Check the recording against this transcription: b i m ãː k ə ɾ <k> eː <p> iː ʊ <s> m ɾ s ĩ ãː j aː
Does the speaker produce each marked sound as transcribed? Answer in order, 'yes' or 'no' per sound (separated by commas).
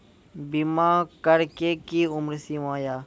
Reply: yes, no, no